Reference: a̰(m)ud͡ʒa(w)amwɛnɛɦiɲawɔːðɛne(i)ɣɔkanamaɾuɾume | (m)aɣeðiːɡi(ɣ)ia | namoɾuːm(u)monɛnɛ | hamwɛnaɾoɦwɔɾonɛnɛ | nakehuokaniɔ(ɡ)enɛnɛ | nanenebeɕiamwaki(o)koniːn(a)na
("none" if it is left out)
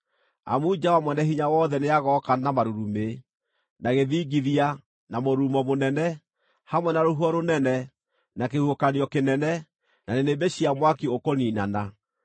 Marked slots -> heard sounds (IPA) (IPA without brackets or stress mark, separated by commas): m, w, a, n, ð, ɔ, k, o, a